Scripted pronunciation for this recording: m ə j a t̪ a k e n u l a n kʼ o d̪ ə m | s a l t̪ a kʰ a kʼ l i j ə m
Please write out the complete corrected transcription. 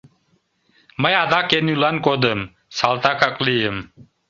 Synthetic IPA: m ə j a d̪ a k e n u l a n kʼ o d̪ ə m | s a l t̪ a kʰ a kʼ l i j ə m